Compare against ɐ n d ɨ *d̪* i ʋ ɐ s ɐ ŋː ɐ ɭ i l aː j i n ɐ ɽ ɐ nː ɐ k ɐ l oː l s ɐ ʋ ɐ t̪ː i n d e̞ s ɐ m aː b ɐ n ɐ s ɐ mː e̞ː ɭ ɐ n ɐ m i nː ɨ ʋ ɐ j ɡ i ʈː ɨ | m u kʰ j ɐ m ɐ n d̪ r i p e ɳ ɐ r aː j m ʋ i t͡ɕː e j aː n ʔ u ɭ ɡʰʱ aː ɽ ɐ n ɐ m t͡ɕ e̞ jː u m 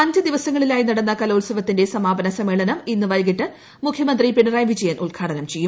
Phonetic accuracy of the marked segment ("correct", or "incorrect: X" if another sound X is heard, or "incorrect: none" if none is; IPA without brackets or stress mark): correct